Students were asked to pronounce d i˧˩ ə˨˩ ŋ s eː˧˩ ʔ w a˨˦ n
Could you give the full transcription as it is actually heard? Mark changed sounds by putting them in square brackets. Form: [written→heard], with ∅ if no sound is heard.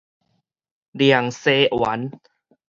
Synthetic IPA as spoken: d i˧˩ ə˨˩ ŋ s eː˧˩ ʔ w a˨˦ n